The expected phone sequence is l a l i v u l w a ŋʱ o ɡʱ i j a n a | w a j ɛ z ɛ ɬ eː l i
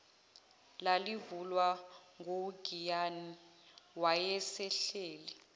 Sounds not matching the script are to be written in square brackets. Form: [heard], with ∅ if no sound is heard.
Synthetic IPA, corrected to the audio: l a l i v u l w a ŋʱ o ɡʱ i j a n [i] | w a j ɛ [s] ɛ ɬ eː l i